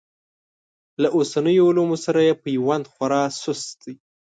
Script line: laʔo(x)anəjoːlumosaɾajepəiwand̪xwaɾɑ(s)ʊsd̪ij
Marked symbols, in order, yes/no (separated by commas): no, yes